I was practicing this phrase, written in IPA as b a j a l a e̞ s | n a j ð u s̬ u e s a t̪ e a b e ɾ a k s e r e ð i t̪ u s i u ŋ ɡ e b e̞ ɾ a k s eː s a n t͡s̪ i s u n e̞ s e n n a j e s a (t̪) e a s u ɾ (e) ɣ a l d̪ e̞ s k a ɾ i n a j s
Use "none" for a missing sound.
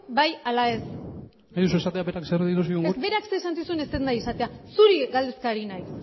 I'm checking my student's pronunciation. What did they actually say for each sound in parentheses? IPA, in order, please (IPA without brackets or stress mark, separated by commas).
t̪, i